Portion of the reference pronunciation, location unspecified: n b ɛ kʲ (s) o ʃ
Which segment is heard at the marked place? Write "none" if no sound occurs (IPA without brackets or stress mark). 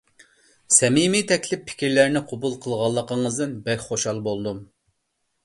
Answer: χ